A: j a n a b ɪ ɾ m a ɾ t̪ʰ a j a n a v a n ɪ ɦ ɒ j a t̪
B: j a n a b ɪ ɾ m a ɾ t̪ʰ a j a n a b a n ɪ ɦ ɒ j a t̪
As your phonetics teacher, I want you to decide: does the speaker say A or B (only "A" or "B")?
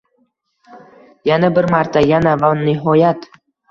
A